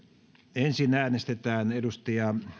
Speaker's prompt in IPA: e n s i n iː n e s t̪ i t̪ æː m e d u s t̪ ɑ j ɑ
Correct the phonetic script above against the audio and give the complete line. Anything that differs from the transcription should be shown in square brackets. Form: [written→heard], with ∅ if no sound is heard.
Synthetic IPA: e n s i n [iː→æː] n e s t̪ [i→e] t̪ æː [m→n] e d u s t̪ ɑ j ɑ